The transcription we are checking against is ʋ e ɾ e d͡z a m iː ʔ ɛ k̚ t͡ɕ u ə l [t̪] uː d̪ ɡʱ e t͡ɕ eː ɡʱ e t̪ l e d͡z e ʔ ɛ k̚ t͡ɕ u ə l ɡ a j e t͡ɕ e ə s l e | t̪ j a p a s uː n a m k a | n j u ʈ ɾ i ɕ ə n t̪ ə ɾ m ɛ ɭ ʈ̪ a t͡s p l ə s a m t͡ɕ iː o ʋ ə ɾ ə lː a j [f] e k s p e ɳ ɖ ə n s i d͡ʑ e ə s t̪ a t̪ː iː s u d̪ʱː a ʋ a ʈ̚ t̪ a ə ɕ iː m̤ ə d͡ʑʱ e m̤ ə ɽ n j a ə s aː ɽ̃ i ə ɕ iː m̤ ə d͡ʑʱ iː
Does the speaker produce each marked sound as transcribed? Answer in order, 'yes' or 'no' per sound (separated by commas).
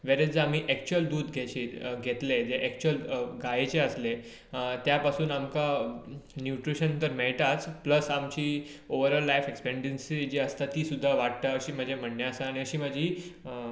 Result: no, yes